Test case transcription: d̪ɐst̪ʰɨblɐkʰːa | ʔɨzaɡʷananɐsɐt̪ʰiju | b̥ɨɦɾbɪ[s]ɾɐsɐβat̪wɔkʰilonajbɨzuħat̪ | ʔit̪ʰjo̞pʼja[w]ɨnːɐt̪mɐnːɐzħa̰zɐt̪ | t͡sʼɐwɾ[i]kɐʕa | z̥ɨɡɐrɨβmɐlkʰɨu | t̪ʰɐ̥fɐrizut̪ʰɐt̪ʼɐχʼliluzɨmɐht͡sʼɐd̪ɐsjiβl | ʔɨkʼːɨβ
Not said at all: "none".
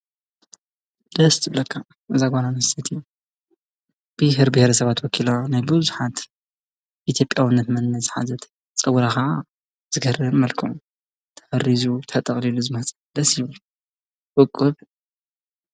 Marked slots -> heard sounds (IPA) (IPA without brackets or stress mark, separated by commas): h, w, a